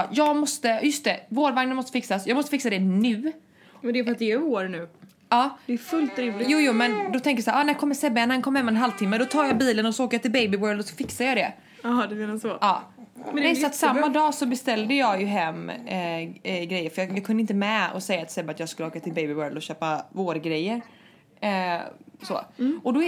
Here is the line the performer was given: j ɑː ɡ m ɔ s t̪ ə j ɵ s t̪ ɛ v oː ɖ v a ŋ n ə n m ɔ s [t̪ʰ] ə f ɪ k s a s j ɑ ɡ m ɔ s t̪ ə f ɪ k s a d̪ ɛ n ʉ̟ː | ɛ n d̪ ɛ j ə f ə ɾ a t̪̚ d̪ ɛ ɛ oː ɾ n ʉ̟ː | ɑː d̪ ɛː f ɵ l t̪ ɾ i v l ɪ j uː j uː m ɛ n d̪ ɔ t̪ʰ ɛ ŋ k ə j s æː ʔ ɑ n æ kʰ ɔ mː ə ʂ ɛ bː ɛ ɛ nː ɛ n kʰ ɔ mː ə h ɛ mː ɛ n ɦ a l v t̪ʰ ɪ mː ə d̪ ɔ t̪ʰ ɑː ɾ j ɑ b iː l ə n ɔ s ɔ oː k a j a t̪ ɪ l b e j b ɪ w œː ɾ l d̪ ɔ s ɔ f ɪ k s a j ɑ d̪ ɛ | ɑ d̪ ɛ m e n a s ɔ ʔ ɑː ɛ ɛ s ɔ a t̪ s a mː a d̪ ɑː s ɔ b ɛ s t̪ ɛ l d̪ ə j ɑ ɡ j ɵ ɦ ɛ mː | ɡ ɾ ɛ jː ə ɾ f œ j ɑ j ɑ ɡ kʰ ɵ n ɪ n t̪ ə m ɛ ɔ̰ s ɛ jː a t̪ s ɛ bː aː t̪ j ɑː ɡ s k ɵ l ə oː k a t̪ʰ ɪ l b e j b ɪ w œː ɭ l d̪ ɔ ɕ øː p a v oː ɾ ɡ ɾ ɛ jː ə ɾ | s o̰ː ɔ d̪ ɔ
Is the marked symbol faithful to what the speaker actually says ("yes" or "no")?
no